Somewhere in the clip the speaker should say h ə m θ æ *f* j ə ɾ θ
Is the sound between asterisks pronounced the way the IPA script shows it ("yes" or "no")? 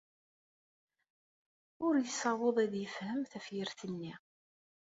yes